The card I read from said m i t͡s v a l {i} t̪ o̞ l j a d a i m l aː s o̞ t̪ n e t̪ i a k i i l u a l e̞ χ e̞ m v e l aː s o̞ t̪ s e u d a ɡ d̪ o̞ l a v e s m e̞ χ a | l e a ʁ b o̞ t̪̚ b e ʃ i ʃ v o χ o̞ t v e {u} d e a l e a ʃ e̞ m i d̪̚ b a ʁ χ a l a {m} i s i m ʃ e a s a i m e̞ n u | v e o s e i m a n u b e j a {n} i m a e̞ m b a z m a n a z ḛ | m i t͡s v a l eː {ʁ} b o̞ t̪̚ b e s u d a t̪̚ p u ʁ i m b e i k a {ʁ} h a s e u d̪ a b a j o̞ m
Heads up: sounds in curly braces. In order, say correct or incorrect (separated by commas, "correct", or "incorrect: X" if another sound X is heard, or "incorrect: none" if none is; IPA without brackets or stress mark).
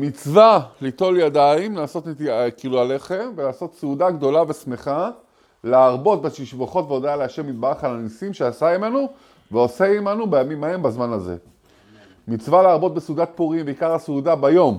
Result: correct, incorrect: o, incorrect: n, incorrect: m, correct, correct